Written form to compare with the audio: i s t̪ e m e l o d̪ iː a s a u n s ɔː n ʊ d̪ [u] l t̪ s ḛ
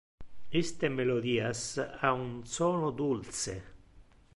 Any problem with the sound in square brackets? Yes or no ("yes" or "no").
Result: no